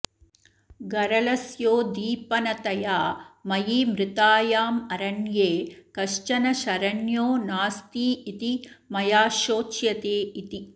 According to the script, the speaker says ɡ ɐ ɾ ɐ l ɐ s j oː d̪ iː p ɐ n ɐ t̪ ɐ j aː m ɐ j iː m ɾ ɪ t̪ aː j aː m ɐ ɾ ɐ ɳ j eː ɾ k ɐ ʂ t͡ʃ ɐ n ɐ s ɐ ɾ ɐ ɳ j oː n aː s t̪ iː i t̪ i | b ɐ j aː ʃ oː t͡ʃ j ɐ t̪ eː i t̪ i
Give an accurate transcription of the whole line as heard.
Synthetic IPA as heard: ɡ ɐ ɾ ɐ l ɐ s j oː d̪ iː p ɐ n ɐ t̪ ɐ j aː m ɐ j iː m ɾ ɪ t̪ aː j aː m ɐ ɾ ɐ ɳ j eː k ɐ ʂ t͡ʃ ɐ n ɐ ʃ ɐ ɾ ɐ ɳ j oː n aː s t̪ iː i t̪ i | m ɐ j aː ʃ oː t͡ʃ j ɐ t̪ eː i t̪ i